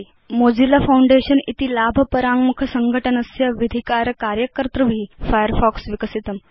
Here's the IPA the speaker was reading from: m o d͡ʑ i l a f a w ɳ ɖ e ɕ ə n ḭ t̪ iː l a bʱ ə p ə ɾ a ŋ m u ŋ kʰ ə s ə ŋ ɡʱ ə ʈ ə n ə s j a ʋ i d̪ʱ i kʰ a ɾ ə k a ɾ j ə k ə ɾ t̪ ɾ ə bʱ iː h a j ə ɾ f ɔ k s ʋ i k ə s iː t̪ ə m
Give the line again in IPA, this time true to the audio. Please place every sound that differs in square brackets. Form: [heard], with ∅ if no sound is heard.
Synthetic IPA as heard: m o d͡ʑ i l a f a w ɳ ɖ e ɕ ə n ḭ t̪ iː l a bʱ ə p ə ɾ a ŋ m u [∅] kʰ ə s ə ŋ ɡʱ ə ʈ ə n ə s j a ʋ i d̪ʱ i [k] a ɾ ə k a ɾ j ə k ə ɾ t̪ ɾ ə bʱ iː [f] a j ə ɾ f ɔ k s ʋ i k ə s [i] t̪ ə m

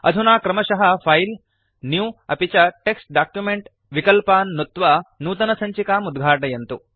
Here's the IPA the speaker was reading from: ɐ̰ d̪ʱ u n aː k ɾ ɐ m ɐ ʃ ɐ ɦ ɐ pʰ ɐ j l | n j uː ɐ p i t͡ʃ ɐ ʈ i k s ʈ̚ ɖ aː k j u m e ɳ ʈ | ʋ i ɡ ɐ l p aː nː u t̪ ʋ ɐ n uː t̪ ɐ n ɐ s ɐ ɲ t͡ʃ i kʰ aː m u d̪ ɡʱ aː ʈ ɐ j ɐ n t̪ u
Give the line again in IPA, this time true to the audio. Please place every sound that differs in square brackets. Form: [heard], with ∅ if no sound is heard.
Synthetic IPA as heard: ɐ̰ d̪ʱ u n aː k ɾ ɐ m ɐ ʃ ɐ ɦ ɐ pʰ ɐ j l | n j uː ɐ p i t͡ʃ ɐ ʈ [e] k s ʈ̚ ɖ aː k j u m e ɳ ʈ | ʋ i [k] ɐ l p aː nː u t̪ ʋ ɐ n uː t̪ ɐ n ɐ s ɐ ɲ t͡ʃ i [k] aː m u d̪ ɡʱ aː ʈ ɐ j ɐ n t̪ u

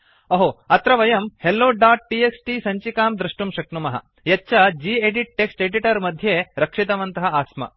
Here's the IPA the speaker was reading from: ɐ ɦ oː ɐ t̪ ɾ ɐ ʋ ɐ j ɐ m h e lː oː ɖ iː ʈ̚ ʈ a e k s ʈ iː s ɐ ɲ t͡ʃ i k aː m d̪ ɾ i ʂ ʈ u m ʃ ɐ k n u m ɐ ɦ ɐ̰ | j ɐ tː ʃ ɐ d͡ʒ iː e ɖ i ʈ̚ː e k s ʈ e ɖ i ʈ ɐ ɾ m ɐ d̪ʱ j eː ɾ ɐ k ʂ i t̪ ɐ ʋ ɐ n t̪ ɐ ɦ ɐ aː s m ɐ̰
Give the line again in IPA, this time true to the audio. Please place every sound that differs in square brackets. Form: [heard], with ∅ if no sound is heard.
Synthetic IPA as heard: ɐ ɦ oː ɐ t̪ ɾ ɐ ʋ ɐ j ɐ m h e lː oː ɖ [aː] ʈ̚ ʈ [i] e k s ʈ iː s ɐ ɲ t͡ʃ i k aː m d̪ ɾ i ʂ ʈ u m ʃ ɐ k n u m ɐ ɦ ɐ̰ | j ɐ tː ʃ ɐ d͡ʒ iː e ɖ i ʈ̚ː e k s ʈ e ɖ i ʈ ɐ ɾ m ɐ d̪ʱ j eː ɾ ɐ k ʂ i t̪ ɐ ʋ ɐ n t̪ ɐ ɦ ɐ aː s m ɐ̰

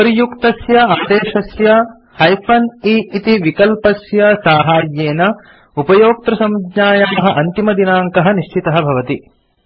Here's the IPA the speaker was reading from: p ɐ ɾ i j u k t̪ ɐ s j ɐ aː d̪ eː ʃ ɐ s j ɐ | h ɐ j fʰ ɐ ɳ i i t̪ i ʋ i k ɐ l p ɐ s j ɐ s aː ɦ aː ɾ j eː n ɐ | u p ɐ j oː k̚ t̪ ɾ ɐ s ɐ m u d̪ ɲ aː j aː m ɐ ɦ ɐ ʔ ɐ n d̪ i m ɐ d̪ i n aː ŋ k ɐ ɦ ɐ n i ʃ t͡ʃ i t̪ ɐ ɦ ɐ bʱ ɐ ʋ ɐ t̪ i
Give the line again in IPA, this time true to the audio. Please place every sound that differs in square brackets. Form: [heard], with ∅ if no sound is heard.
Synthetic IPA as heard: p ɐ ɾ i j u k t̪ ɐ s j ɐ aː d̪ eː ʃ ɐ s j ɐ | h ɐ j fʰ ɐ [n] i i t̪ i ʋ i k ɐ l p ɐ s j ɐ s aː ɦ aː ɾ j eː n ɐ | u p ɐ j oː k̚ t̪ ɾ ɐ s ɐ m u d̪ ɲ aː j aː m ɐ ɦ ɐ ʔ ɐ n [t̪] i m ɐ d̪ i n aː ŋ k ɐ ɦ ɐ n i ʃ t͡ʃ i t̪ ɐ ɦ ɐ bʱ ɐ ʋ ɐ t̪ i

